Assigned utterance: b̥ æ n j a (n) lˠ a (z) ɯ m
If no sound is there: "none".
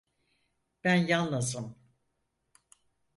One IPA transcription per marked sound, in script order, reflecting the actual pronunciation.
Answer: n, z

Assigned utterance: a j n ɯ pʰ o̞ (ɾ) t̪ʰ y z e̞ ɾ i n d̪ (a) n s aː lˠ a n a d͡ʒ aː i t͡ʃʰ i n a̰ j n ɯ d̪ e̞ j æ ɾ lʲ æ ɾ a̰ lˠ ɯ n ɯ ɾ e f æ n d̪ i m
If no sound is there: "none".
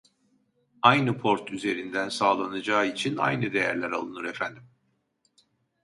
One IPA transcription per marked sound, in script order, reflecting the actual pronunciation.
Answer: ɾ, æ

